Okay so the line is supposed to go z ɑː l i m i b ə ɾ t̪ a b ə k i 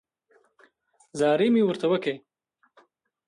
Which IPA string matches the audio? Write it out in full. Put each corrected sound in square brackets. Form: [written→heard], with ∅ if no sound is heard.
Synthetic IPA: z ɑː [l→ɾ] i m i [b→w] ə ɾ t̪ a [b→w] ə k [i→e]

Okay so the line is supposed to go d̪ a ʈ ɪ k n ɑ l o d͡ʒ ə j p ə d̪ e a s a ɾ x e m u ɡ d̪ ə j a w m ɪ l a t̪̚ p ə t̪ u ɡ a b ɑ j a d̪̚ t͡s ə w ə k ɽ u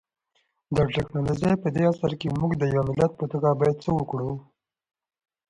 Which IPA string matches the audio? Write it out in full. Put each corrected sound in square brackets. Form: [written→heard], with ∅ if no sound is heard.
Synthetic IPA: d̪ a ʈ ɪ k n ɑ l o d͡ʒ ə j p ə d̪ e a s a ɾ [x→k] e m u ɡ d̪ ə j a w m ɪ l a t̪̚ p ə t̪ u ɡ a b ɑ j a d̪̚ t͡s ə w ə k ɽ u

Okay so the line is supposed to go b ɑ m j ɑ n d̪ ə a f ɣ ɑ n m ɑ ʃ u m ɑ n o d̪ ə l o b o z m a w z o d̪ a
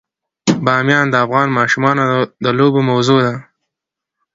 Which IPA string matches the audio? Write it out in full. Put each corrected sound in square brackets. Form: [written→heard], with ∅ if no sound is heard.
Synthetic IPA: b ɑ m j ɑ n d̪ ə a f ɣ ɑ n m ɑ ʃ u m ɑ n o d̪ ə l o b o [z→∅] m a w z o d̪ a

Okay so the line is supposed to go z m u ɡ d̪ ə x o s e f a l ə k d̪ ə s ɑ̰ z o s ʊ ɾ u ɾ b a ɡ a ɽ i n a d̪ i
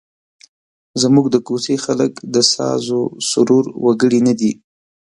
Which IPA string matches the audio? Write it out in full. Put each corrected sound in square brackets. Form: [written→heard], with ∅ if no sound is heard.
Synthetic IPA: z m u ɡ d̪ ə [x→k] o s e [f→x] a l ə k d̪ ə s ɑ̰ z o s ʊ ɾ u ɾ [b→w] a ɡ [a→ə] ɽ i n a d̪ i

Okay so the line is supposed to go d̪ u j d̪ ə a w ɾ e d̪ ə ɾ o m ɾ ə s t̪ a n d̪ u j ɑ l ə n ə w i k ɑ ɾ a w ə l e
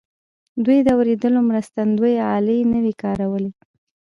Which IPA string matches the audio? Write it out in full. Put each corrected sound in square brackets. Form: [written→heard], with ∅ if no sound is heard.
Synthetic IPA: d̪ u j d̪ ə a w ɾ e d̪ ə [ɾ→l] o m ɾ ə s t̪ a n d̪ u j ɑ l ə n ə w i k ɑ ɾ a w ə l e

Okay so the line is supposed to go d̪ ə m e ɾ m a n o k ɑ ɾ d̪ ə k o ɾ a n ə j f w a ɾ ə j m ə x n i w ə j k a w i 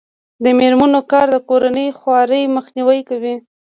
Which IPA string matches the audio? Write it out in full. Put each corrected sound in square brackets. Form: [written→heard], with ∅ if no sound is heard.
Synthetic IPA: d̪ ə m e ɾ m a n o k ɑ ɾ d̪ ə k o ɾ a n ə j [f→x] w [a→ɑ] ɾ ə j m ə x n i w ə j k a w i

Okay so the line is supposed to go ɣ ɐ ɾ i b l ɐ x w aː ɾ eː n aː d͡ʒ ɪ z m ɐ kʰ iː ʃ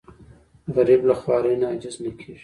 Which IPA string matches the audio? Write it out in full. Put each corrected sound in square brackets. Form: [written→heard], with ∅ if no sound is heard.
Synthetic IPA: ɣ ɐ ɾ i b l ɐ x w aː ɾ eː n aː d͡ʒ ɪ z [m→n] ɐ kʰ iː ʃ

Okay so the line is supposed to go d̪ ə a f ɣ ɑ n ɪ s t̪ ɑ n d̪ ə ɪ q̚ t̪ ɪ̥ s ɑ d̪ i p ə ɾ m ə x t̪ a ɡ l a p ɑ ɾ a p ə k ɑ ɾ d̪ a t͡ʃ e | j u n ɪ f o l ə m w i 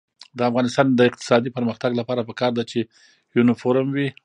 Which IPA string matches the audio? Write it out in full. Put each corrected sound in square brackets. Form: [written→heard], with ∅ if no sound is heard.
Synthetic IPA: d̪ ə a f ɣ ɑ n ɪ s t̪ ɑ n d̪ ə ɪ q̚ t̪ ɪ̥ s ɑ d̪ i p ə ɾ m ə x t̪ a ɡ l a p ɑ ɾ a p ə k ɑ ɾ d̪ a t͡ʃ e | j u n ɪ f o [l→ɾ] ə m w i

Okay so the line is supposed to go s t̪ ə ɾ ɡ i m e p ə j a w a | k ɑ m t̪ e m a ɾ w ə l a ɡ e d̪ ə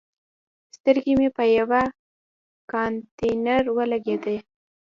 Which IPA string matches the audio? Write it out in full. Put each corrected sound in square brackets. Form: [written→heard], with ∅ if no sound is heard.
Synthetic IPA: s t̪ ə ɾ ɡ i m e p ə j a w a | k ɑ [m→n] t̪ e [m→n] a ɾ w ə l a ɡ e d̪ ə

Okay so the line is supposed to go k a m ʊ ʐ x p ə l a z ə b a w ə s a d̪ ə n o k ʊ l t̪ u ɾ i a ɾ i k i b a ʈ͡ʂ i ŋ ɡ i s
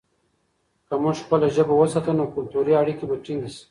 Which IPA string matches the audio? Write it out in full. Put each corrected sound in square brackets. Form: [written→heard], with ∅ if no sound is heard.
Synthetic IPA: k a m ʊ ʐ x p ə l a [z→ʒ] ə b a w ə s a [d̪→t̪] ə n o k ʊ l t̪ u ɾ i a [ɾ→ɽ] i k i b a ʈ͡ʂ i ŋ ɡ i s

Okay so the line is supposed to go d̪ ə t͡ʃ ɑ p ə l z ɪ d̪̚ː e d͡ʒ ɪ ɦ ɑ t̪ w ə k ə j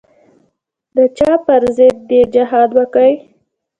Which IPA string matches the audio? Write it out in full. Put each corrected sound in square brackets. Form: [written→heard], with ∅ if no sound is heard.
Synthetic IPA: d̪ ə t͡ʃ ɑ p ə [l→ɾ] z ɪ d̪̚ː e d͡ʒ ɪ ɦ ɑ [t̪→d̪] w ə k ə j

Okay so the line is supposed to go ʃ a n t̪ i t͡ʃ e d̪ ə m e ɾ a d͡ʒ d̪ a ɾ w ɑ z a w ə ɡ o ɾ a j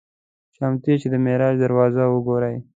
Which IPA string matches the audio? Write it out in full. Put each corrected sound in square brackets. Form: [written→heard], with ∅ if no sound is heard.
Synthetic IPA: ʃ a [n→m] t̪ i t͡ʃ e d̪ ə m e ɾ [a→ɑ] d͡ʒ d̪ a ɾ w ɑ z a w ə ɡ o ɾ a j

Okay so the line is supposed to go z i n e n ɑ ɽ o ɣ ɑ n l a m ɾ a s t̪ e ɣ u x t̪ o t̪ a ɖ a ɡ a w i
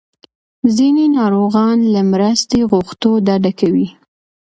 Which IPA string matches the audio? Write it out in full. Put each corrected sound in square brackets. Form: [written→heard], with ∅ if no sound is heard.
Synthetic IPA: z i n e n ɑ [ɽ→ɾ] o ɣ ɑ n l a m ɾ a s t̪ e ɣ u x t̪ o [t̪→d̪] a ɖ a [ɡ→k] a w i

